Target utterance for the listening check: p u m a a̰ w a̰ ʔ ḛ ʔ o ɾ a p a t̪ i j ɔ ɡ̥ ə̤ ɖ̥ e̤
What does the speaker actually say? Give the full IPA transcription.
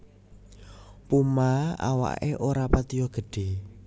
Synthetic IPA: p u m a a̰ w a̰ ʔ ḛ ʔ o ɾ a p a t̪ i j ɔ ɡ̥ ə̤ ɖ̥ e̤